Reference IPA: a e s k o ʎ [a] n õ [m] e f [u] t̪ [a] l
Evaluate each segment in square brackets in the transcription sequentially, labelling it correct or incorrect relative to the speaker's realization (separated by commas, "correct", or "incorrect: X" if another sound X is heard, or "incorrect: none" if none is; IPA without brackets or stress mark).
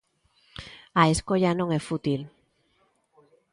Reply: correct, incorrect: ŋ, correct, incorrect: i